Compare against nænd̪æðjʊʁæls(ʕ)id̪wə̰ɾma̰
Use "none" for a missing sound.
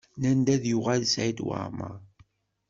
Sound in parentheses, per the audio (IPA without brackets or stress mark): ʕ